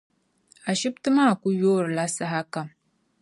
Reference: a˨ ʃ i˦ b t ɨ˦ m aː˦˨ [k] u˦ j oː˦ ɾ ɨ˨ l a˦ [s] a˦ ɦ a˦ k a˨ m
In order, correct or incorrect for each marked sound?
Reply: correct, correct

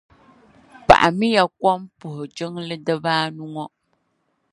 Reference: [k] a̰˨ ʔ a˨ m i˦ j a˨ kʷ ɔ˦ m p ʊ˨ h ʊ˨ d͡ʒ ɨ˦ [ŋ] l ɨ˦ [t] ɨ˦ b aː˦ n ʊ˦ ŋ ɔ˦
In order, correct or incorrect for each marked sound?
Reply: incorrect: p, correct, incorrect: d

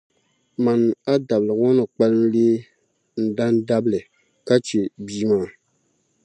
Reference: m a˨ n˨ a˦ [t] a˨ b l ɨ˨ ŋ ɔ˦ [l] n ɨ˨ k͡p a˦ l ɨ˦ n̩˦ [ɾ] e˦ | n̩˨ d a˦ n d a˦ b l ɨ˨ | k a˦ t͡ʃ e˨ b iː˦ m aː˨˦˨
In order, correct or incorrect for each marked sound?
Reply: incorrect: d, incorrect: none, incorrect: l

